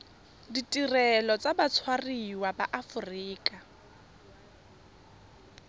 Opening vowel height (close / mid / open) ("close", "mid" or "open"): close